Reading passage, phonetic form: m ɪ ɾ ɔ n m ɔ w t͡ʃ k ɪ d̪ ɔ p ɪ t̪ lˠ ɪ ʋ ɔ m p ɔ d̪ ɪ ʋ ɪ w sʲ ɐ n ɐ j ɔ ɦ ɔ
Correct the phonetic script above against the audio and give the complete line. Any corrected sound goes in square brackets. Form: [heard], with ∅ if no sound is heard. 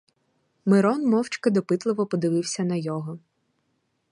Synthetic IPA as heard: m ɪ ɾ ɔ n m ɔ w t͡ʃ k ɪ d̪ ɔ p ɪ t̪ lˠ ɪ ʋ ɔ [∅] p ɔ d̪ ɪ ʋ ɪ w sʲ ɐ n ɐ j ɔ ɦ ɔ

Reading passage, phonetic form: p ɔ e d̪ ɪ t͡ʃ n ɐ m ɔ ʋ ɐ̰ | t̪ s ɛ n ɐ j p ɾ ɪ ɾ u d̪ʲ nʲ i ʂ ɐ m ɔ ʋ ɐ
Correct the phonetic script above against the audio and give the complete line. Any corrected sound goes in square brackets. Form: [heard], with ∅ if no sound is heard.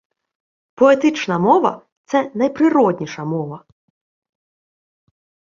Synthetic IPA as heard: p ɔ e [t̪] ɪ t͡ʃ n ɐ m ɔ ʋ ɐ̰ | t̪ s ɛ n ɐ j p ɾ ɪ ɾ [ɔ] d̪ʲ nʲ i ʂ ɐ m ɔ ʋ ɐ

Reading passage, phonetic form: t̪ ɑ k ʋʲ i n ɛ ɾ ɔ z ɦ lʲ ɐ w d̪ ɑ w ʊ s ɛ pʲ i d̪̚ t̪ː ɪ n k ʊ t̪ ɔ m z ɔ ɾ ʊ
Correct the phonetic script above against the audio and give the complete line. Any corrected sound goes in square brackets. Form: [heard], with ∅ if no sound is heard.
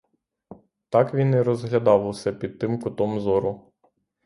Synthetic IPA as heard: t̪ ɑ k ʋʲ i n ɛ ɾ ɔ z ɦ lʲ ɐ [∅] d̪ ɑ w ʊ s ɛ pʲ i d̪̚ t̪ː ɪ [m] k ʊ t̪ ɔ m z ɔ ɾ ʊ

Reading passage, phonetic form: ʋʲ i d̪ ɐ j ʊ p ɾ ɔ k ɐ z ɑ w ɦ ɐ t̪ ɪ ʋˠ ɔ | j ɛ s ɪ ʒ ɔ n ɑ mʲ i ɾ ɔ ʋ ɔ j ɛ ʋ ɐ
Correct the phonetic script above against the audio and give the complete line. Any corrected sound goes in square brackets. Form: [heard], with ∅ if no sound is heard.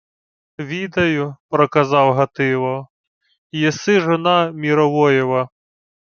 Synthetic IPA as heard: ʋʲ i d̪ ɐ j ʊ p ɾ ɔ k ɐ z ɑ w ɦ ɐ t̪ ɪ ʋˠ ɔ | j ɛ s ɪ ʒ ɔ n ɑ mʲ i ɾ ɔ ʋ ɔ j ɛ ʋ ɐ

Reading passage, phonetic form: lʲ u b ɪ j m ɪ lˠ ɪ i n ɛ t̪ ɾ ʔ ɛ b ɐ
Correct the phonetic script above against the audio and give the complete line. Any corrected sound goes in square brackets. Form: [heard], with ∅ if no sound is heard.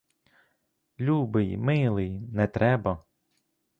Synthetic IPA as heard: lʲ u b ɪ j m ɪ lˠ ɪ [j] n ɛ t̪ ɾ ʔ ɛ b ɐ

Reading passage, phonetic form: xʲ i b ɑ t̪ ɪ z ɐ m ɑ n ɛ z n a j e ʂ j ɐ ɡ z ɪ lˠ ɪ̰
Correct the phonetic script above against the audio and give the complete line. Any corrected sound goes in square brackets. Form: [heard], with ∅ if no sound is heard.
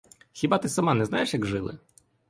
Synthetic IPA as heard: xʲ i b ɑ t̪ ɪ [s] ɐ m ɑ n ɛ z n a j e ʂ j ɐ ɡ [ʐ] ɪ lˠ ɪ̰

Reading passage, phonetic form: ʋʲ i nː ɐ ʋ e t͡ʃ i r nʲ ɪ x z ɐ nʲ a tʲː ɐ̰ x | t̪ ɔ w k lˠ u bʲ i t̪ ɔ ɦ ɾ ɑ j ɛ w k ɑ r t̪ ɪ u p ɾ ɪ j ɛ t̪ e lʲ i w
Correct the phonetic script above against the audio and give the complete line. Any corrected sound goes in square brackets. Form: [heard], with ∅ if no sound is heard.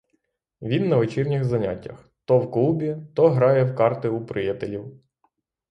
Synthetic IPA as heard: ʋʲ i nː ɐ ʋ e t͡ʃ i r nʲ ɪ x z ɐ nʲ a tʲː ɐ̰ x | t̪ ɔ w k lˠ u bʲ i t̪ ɔ ɦ ɾ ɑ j ɛ w k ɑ r t̪ ɪ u p ɾ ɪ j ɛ t̪ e lʲ i w

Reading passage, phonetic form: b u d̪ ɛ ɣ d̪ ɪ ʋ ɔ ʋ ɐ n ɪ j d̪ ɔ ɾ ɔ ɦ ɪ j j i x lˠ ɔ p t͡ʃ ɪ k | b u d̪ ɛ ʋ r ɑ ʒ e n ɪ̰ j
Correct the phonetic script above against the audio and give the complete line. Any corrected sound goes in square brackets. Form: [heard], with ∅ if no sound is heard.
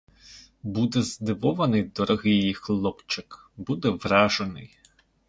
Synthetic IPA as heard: b u d̪ ɛ [z] d̪ ɪ ʋ ɔ ʋ ɐ n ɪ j d̪ ɔ ɾ ɔ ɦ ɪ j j i x lˠ ɔ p t͡ʃ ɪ k | b u d̪ ɛ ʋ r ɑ ʒ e n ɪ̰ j

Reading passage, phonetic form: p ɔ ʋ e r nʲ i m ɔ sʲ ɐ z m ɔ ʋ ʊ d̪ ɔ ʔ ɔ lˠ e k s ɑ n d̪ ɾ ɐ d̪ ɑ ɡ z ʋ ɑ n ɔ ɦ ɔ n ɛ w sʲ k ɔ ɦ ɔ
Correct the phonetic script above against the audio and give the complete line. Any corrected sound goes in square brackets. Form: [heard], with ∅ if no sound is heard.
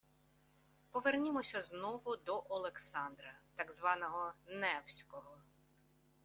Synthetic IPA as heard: p ɔ ʋ e r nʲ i m ɔ sʲ ɐ z [n] ɔ ʋ ʊ d̪ ɔ ʔ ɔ lˠ e k s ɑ n d̪ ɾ ɐ [t̪] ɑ ɡ z ʋ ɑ n ɔ ɦ ɔ n ɛ w sʲ k ɔ ɦ ɔ

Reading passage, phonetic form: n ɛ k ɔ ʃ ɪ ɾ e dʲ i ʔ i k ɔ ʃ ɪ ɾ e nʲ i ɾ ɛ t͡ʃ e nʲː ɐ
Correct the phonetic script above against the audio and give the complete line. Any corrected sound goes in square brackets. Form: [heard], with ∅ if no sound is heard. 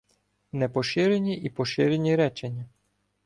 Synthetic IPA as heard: n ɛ [p] ɔ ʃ ɪ ɾ e [nʲ] i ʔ i [p] ɔ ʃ ɪ ɾ e nʲ i ɾ ɛ t͡ʃ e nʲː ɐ

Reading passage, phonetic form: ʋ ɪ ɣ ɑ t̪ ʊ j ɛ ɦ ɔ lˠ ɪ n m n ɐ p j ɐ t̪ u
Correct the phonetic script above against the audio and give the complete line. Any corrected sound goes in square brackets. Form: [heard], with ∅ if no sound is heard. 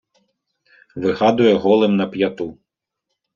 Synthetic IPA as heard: ʋ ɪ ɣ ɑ [d̪] ʊ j ɛ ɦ ɔ lˠ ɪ [∅] m n ɐ p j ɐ t̪ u

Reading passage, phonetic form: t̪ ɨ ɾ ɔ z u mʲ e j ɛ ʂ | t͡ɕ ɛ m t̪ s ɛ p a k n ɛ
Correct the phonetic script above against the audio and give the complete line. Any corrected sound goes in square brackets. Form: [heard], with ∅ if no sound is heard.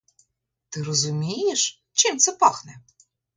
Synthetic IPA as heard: t̪ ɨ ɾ ɔ z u mʲ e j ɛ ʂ | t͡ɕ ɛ m t̪ s ɛ p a [x] n ɛ

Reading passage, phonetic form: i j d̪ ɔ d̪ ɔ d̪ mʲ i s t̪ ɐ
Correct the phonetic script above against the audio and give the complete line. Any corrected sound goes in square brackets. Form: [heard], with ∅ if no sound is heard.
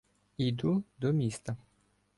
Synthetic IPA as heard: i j d̪ [u] d̪ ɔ [∅] mʲ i s t̪ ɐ

